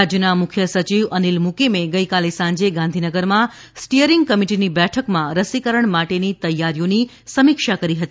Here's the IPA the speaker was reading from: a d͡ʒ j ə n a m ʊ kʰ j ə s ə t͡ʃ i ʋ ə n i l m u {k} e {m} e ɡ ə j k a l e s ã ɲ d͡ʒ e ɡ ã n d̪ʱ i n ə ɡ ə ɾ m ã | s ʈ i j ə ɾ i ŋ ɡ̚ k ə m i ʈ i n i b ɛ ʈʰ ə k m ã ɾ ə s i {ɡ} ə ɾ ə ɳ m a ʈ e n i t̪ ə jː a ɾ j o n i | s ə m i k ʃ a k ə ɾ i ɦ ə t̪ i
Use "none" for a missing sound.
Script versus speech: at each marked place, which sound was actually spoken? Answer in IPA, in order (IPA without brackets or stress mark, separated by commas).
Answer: k, m, k